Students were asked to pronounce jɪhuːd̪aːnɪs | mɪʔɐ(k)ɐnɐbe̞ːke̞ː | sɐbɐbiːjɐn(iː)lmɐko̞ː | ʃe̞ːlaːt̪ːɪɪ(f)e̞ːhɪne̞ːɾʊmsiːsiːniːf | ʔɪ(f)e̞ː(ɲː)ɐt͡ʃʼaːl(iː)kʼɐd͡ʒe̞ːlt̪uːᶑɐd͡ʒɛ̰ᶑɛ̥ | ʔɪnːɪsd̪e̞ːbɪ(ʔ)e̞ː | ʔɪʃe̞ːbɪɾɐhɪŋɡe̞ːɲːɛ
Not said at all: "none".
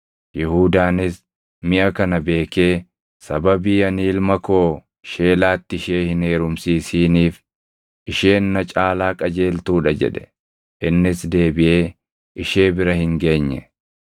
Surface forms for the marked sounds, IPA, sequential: k, iː, ʃ, ʃ, nː, aː, ʔ

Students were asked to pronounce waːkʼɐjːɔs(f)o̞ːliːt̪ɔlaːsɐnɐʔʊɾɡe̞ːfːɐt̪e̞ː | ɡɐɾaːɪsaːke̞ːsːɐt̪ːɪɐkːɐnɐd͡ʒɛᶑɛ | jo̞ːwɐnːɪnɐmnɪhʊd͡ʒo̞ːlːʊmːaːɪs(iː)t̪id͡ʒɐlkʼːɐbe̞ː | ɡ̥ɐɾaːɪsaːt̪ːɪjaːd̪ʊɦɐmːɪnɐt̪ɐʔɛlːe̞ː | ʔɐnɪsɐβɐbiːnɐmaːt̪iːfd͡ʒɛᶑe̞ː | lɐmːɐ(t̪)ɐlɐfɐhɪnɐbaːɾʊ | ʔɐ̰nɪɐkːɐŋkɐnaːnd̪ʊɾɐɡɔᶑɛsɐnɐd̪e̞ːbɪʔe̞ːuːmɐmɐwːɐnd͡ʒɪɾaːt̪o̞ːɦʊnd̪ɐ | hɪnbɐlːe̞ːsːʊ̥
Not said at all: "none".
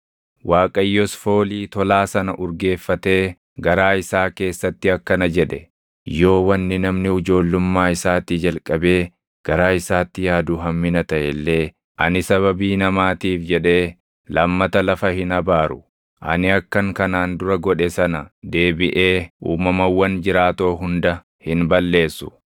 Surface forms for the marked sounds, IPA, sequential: f, aː, t̪

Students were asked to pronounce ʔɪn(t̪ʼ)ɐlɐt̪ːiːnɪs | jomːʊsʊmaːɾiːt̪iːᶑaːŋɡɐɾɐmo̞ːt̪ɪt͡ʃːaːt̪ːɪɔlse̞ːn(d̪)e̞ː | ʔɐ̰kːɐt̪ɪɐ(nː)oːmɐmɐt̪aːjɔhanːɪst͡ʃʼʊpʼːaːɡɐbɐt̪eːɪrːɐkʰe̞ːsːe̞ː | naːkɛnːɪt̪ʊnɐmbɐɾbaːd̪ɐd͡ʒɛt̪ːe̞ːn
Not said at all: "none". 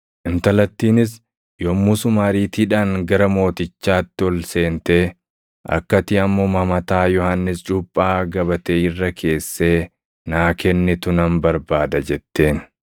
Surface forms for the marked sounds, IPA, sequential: t̪, t̪, mː

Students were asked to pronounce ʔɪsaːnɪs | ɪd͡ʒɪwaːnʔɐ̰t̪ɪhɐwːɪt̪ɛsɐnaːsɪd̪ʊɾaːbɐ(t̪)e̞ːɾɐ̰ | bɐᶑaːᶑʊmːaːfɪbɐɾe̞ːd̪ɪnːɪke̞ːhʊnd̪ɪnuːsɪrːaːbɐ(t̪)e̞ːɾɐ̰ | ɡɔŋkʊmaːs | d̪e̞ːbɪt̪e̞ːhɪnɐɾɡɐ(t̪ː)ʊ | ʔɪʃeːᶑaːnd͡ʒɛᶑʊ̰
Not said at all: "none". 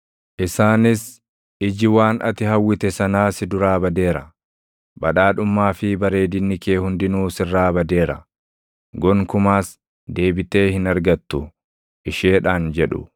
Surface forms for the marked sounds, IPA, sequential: d̪, d̪, t̪ː

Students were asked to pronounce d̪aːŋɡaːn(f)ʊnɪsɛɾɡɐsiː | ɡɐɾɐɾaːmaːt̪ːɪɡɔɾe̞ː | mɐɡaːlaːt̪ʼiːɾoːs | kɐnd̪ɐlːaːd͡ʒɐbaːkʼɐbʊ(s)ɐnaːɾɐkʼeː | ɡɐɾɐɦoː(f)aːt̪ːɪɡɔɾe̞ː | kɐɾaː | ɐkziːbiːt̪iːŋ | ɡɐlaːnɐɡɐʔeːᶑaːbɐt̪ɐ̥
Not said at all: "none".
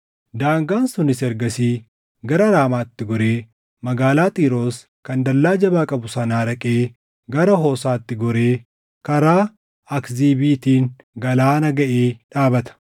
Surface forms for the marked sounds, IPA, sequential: s, s, s

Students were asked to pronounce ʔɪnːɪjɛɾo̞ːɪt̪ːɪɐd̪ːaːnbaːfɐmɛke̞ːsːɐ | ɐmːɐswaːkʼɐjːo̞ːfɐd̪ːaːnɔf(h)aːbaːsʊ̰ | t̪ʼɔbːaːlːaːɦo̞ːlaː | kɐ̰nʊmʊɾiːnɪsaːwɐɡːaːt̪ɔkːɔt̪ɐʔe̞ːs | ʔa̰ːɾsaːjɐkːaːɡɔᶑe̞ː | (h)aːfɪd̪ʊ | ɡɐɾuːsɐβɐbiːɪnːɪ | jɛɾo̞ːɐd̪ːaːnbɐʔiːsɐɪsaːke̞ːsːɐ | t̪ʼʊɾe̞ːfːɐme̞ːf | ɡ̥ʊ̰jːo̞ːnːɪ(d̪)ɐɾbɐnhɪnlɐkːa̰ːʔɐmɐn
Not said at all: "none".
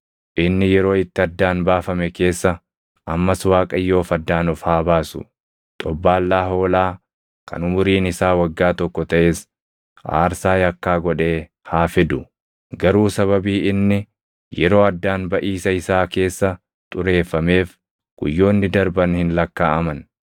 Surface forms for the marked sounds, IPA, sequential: h, h, d̪

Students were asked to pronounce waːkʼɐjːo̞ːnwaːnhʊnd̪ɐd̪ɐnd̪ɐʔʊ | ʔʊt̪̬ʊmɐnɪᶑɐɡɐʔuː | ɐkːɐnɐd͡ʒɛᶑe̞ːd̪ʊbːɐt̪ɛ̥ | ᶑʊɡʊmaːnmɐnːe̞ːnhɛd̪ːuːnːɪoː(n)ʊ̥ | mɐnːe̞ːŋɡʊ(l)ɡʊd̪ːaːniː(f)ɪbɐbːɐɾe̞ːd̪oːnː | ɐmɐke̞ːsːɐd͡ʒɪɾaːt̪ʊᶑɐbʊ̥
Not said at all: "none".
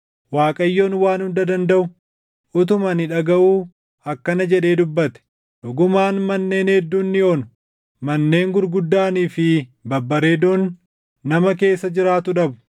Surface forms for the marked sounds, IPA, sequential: n, ɾ, f

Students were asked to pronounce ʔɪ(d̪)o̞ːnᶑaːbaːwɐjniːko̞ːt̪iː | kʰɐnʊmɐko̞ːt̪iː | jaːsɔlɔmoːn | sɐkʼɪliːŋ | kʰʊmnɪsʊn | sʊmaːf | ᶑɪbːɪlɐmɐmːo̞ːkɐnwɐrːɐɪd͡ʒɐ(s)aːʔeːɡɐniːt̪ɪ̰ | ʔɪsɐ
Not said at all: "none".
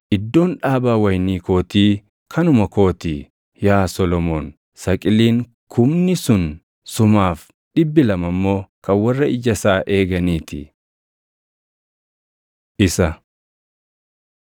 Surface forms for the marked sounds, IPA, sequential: d̪ː, s

